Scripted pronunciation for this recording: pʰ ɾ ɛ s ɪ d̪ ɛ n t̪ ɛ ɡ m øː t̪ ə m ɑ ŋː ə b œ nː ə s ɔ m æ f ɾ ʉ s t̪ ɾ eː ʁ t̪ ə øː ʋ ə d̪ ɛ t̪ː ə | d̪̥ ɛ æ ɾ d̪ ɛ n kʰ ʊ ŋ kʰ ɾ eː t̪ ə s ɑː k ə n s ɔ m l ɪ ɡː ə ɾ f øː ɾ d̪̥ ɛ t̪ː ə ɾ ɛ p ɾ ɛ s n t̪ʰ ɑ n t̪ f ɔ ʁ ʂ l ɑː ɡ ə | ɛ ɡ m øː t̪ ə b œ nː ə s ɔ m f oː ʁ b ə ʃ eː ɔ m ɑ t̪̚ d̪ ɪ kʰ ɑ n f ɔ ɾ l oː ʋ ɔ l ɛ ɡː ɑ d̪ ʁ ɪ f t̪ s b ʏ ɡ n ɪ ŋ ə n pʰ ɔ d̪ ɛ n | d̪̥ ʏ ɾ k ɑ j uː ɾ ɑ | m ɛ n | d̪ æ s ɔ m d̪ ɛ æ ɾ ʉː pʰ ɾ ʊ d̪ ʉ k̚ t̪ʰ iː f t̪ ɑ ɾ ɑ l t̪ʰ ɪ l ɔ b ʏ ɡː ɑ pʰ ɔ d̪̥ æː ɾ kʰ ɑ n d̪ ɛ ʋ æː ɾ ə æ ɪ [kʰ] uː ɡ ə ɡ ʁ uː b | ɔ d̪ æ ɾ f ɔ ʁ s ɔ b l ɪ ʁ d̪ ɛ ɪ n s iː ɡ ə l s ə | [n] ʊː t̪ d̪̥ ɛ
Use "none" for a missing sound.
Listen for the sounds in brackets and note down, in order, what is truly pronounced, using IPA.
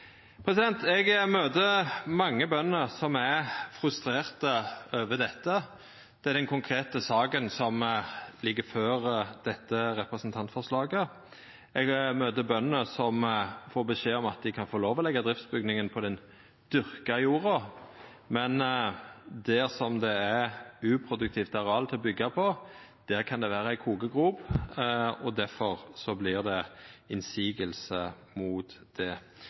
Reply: kʰ, m

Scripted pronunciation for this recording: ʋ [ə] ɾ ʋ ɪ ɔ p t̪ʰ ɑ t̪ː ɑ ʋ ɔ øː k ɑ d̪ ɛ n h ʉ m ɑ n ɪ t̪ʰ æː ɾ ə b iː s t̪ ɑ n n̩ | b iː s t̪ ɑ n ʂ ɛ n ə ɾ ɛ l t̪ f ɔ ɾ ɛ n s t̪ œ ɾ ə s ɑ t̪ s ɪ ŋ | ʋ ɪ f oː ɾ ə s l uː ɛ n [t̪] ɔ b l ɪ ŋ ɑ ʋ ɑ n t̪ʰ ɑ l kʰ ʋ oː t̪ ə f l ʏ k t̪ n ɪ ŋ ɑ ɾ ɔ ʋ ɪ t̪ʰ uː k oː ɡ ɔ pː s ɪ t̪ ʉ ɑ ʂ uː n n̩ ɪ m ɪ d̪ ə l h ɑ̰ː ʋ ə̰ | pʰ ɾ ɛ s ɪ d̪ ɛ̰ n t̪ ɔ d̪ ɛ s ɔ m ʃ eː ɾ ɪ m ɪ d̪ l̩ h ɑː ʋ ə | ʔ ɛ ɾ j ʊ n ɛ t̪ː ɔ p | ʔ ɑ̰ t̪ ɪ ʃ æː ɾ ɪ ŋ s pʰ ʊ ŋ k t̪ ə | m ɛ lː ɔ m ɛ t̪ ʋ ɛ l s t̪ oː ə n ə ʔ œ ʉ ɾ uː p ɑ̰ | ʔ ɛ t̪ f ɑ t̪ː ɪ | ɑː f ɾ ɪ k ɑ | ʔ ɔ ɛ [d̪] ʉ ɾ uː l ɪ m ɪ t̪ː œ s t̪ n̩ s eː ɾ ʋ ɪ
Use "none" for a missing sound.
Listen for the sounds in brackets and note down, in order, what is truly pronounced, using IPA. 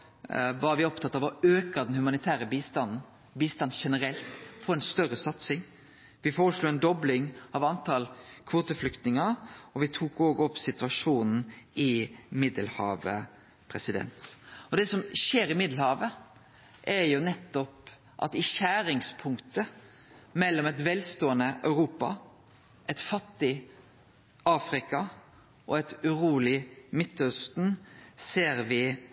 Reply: ɑ, d̪, t̪

